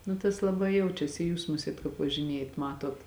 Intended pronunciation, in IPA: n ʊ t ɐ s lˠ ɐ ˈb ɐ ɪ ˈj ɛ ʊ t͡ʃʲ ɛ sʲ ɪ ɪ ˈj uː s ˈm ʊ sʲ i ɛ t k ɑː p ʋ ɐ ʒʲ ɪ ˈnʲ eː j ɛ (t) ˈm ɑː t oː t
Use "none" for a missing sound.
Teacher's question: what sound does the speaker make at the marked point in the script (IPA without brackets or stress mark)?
t